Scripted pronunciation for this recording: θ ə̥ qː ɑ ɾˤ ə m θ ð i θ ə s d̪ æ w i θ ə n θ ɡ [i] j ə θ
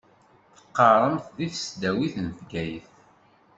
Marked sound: incorrect: æ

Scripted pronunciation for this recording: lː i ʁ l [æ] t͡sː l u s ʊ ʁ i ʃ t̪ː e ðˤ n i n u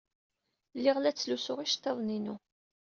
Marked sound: correct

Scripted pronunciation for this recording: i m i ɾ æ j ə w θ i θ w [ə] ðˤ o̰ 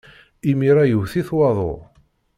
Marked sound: incorrect: ɑ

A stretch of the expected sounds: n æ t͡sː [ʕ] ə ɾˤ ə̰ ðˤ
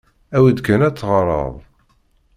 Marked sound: incorrect: ʁ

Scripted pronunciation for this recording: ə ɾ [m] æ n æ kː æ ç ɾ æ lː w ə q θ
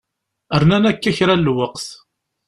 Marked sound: incorrect: n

